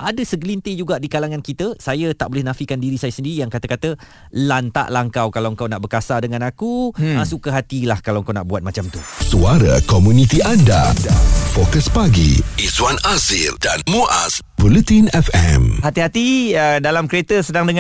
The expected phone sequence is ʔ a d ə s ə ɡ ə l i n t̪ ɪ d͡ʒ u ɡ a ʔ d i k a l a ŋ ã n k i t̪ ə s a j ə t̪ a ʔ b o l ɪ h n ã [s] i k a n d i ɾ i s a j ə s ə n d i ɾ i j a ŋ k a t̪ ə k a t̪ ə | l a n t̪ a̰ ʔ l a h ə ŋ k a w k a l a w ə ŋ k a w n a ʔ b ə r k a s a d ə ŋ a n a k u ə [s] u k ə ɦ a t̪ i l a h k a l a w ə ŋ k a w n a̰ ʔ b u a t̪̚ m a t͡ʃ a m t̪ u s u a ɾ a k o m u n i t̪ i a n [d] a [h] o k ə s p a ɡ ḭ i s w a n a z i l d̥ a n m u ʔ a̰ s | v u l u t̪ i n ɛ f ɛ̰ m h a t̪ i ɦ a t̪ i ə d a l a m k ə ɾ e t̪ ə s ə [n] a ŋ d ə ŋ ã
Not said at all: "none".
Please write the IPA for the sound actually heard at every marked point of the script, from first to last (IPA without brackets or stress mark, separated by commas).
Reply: f, s, d, f, d